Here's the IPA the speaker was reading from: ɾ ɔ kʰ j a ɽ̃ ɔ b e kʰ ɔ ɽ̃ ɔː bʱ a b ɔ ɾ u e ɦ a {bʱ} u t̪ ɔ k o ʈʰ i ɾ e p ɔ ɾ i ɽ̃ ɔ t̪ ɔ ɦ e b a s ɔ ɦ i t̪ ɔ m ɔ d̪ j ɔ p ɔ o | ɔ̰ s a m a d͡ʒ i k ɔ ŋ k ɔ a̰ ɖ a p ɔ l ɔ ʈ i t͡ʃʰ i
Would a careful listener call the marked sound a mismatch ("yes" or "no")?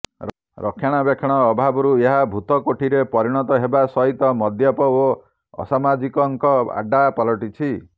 no